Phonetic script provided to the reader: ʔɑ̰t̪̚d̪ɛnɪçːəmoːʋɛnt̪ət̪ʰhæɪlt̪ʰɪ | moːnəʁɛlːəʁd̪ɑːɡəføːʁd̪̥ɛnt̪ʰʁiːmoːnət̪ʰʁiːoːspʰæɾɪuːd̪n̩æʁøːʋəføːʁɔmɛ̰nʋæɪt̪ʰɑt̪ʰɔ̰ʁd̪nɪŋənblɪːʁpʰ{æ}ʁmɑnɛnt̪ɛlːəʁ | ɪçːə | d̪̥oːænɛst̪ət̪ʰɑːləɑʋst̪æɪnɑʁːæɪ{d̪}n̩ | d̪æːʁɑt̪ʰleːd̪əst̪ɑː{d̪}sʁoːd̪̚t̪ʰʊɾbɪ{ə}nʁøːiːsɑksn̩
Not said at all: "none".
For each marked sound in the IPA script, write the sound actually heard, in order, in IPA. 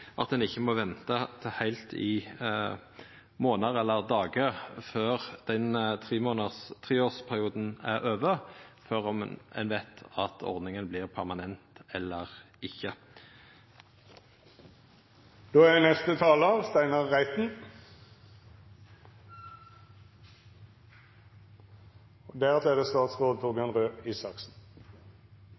æ, t̪, t̪, ɑ

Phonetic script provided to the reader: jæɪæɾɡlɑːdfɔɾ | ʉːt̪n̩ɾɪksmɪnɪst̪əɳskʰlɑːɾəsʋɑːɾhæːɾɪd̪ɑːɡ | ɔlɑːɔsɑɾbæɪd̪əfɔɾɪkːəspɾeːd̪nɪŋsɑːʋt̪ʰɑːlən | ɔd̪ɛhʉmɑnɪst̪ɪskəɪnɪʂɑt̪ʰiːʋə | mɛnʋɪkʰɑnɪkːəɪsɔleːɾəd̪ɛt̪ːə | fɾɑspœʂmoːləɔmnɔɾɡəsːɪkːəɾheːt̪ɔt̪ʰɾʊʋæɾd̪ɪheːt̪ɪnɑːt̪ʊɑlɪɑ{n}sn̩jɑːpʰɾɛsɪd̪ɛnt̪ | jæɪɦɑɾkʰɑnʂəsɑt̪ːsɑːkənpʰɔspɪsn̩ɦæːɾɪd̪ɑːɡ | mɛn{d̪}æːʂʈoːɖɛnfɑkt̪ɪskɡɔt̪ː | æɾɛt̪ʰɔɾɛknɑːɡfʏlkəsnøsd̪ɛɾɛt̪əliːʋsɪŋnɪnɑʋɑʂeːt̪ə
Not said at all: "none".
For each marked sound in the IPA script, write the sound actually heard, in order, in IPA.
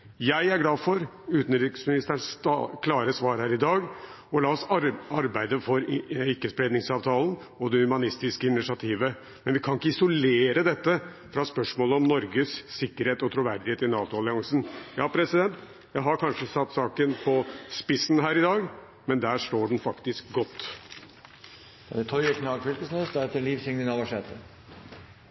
ŋ, d̪

